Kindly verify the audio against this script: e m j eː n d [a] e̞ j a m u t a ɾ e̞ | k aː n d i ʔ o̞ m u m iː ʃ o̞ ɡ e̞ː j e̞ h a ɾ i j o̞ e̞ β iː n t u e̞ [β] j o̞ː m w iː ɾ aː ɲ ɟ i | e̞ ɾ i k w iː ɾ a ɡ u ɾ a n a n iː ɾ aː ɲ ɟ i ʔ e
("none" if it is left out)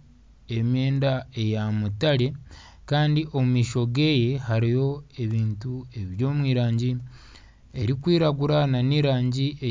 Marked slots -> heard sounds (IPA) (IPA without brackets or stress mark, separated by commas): a, β